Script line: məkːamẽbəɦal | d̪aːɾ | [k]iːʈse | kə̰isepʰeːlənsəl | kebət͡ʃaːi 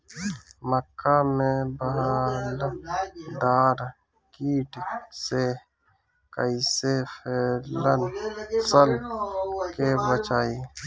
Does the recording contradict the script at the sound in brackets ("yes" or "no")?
no